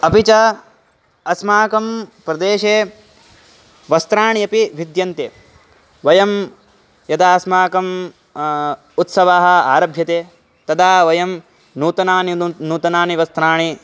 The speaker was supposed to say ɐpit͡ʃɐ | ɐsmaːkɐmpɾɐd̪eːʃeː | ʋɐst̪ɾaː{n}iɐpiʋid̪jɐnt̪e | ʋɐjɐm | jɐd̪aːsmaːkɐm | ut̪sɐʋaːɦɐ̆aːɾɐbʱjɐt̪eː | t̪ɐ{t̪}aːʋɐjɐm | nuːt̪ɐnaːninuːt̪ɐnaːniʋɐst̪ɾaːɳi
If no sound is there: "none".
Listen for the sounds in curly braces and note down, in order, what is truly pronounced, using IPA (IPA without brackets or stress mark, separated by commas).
ɳ, d̪